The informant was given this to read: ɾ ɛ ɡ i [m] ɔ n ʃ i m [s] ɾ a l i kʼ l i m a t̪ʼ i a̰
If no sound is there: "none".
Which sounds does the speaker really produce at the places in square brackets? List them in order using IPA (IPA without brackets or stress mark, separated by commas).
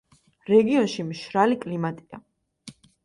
none, ʃ